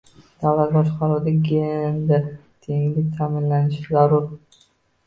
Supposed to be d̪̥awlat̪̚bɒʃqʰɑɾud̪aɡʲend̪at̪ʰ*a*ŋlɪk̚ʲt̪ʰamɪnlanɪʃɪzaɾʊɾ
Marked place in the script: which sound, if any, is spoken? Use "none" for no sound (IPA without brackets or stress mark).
e